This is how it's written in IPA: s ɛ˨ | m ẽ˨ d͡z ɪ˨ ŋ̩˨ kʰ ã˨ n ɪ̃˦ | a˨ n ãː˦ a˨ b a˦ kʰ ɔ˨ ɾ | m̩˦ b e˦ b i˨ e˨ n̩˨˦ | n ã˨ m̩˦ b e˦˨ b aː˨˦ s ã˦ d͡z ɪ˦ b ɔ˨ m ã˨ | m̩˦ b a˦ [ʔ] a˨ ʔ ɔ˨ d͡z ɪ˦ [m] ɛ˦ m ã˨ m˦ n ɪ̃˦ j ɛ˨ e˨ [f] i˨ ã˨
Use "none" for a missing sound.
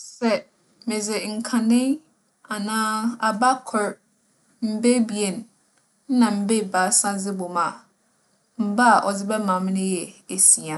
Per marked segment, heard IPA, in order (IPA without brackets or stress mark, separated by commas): none, b, s